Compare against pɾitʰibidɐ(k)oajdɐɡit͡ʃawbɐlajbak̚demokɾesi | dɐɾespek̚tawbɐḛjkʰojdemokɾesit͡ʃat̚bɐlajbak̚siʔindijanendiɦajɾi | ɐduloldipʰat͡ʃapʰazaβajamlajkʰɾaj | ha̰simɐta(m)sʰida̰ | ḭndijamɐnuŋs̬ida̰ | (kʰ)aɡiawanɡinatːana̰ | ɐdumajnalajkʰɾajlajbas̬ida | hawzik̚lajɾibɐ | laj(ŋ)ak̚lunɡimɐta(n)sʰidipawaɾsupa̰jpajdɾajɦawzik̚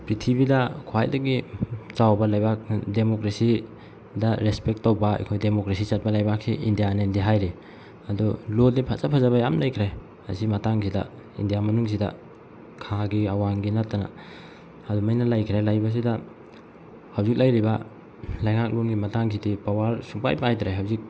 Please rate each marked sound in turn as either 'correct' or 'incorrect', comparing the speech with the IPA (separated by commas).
incorrect, incorrect, correct, correct, incorrect